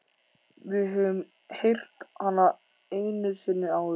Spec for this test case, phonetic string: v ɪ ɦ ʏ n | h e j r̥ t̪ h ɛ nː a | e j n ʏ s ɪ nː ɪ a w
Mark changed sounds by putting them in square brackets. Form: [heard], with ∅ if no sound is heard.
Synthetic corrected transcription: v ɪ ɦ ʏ [m] | h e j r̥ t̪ h [a] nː a | e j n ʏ s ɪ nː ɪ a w

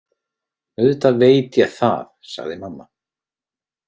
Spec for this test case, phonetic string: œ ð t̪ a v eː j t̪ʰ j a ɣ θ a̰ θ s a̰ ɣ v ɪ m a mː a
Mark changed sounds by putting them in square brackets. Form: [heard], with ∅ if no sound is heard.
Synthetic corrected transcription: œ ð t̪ a v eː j [t̪] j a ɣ θ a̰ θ s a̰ ɣ [ð] ɪ m a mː a

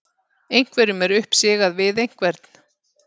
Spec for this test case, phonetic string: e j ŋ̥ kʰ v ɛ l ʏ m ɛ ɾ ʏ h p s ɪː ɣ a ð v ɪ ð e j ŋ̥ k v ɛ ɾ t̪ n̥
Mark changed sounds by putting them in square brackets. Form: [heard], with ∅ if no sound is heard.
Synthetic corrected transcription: e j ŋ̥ [k] v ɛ [ɾ] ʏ m ɛ ɾ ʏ h p s ɪː ɣ a ð v ɪ ð e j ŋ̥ k v ɛ ɾ t̪ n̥

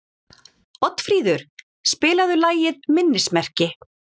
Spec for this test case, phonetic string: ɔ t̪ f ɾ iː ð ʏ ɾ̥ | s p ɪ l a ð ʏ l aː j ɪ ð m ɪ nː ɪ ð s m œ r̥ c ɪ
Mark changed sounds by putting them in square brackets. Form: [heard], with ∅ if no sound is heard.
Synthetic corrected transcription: ɔ t̪ f ɾ iː ð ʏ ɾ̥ | s p [ɪː] l a ð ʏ l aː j ɪ ð m ɪ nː ɪ [∅] s m [ɛ] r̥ c ɪ

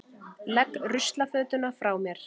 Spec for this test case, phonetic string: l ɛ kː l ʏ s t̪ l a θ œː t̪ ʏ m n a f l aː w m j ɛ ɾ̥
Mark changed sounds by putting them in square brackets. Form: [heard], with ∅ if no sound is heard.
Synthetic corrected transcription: l ɛ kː [r] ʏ s t̪ l a [f] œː t̪ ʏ [∅] n a f [ɾ] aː w m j ɛ ɾ̥

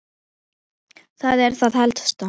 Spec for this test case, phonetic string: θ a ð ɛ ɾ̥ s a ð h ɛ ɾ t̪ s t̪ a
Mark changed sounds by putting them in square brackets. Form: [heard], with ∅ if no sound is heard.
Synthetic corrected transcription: θ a ð ɛ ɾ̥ [θ] a ð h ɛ [l] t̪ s t̪ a

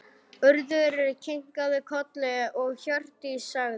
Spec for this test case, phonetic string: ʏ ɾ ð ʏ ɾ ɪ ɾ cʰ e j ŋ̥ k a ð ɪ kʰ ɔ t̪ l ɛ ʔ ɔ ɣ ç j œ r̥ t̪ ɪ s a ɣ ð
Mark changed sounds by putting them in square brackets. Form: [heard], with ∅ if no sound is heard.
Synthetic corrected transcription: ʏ ɾ ð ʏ ɾ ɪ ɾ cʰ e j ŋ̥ k a ð ɪ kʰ ɔ t̪ l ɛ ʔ ɔ ɣ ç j œ r̥ t̪ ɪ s a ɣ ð

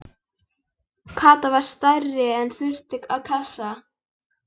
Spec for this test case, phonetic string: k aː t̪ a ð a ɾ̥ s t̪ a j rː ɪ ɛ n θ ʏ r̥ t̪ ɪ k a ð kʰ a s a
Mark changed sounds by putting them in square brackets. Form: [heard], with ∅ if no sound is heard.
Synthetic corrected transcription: [kʰ] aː t̪ a [v] a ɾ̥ s t̪ a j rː ɪ ɛ n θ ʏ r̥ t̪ ɪ k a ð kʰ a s a

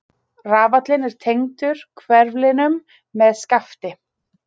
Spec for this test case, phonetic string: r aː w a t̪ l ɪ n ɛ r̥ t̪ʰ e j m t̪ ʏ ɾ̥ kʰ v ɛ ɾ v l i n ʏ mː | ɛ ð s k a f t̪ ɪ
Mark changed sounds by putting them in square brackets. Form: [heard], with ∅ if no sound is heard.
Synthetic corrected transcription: r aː [v] a t̪ l ɪ n ɛ [ɾ̥] t̪ʰ e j [ŋ] t̪ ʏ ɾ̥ kʰ v ɛ ɾ v l [ɪ] n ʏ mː | ɛ ð s k a f t̪ ɪ

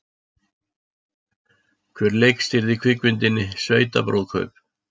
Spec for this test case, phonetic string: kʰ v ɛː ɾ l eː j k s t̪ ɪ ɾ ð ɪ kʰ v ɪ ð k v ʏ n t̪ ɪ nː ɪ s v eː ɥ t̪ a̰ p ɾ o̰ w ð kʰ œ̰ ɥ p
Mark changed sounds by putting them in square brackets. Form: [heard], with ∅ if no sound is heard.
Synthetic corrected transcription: kʰ v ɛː ɾ l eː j k s t̪ ɪ ɾ ð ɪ kʰ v ɪ [∅] k v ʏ n t̪ ɪ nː ɪ s v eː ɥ t̪ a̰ p ɾ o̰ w ð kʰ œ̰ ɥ p

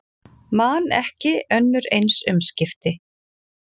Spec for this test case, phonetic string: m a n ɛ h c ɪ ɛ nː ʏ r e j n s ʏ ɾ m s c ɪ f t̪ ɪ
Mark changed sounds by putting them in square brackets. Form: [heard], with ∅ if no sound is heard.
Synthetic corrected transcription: m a n ɛ h c ɪ [œ] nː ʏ [ɾ] e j n s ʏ [∅] m s c ɪ f t̪ ɪ

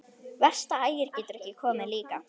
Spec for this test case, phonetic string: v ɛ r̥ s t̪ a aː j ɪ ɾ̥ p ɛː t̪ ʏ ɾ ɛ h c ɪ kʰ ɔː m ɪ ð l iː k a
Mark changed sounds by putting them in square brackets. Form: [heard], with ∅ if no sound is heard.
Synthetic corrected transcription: v ɛ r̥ s t̪ a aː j ɪ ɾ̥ [c] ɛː t̪ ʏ ɾ ɛ h c ɪ kʰ ɔː m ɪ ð l iː k a

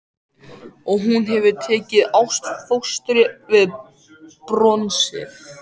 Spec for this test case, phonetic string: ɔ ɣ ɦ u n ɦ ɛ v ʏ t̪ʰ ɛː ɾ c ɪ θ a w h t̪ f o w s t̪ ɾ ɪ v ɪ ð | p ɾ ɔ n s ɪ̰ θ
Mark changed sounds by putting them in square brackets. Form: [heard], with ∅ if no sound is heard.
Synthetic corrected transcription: ɔ ɣ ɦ u n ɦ ɛ v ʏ t̪ʰ ɛː [∅] c ɪ [ð] a w [s] t̪ f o w s t̪ ɾ ɪ v ɪ ð | p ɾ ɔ n s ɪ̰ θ

